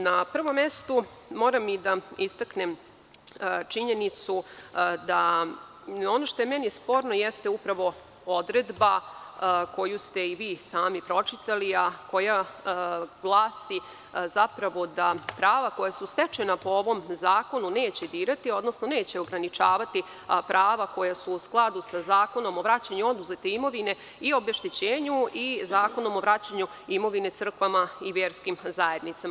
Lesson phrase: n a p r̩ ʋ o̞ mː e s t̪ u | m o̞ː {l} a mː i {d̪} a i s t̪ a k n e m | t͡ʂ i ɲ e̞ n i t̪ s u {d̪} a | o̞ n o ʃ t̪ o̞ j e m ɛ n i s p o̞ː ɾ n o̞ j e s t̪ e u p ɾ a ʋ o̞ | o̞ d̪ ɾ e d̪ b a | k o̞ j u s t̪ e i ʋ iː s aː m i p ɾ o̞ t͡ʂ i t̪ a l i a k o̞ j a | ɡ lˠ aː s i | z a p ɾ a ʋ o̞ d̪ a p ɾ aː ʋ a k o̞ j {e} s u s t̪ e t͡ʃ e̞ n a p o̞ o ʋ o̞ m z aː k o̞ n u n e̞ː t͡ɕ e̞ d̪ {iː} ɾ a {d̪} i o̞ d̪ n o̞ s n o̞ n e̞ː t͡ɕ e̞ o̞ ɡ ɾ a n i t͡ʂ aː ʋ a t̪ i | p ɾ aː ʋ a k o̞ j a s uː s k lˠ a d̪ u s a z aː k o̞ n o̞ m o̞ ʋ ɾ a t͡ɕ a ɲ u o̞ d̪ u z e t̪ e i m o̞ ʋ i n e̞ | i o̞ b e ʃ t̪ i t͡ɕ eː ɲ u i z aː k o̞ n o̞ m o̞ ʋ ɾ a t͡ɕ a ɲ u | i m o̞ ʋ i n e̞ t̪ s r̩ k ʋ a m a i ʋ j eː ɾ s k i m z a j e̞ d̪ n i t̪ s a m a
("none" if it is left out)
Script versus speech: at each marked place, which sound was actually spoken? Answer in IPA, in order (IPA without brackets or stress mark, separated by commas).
ɾ, d̪, d̪, a, iː, t̪